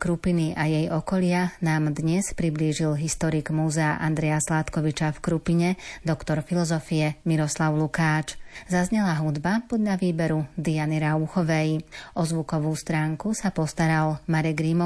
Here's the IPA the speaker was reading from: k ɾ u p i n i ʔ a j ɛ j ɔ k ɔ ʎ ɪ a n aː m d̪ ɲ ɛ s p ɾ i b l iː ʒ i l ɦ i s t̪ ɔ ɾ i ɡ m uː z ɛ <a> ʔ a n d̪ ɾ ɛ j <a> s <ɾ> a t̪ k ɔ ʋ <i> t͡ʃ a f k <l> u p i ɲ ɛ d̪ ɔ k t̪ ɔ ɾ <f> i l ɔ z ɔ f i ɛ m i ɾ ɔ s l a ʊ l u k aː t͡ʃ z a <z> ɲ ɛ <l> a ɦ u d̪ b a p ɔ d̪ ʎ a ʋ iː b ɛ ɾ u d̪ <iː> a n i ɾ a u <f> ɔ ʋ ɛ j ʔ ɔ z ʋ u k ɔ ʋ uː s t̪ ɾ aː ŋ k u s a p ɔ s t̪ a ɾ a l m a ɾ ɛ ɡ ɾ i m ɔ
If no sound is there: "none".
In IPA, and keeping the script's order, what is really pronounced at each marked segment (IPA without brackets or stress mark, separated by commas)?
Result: a, a, l, i, ɾ, f, z, l, i, x